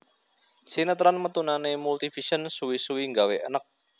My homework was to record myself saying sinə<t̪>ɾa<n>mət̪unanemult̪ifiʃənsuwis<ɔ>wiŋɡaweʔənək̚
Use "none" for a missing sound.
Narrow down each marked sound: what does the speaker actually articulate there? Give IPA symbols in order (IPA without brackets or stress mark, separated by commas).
t̪, n, u